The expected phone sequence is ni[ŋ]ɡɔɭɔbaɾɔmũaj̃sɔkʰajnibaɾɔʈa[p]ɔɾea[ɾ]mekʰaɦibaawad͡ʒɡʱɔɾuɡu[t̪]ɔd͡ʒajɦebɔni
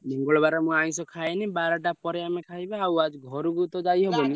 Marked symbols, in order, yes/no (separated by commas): yes, yes, no, yes